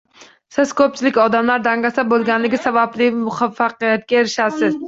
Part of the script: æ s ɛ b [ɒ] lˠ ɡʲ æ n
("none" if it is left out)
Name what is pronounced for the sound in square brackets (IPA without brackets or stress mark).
o